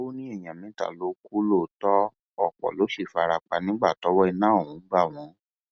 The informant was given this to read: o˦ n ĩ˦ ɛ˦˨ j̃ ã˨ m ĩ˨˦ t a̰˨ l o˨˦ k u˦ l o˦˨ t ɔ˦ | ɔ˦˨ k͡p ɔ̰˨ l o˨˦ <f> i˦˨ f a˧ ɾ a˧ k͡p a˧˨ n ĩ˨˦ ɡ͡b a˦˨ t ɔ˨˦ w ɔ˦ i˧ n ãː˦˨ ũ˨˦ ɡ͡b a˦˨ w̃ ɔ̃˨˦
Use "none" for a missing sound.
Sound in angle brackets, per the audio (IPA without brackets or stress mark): ʃ